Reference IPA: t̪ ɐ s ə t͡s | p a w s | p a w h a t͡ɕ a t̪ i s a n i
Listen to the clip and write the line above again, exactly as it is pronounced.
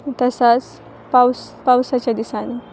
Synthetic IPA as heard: t̪ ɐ s a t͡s | p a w s | p a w s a t͡ɕ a d̪ i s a n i